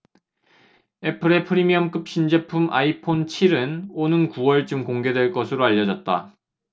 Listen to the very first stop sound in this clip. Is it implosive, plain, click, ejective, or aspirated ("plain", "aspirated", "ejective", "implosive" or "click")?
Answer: aspirated